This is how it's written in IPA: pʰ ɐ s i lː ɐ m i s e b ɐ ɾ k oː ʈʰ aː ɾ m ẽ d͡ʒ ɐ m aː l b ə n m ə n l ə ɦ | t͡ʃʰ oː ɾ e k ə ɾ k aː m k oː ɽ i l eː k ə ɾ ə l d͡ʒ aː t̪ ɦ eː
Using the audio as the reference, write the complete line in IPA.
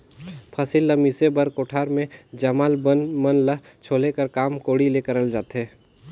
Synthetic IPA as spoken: pʰ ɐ s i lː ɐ m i s e b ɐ ɾ k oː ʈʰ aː ɾ m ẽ d͡ʒ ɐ m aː l b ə n m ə n l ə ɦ | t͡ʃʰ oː l e k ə ɾ k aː m k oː ɽ i l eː k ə ɾ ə l d͡ʒ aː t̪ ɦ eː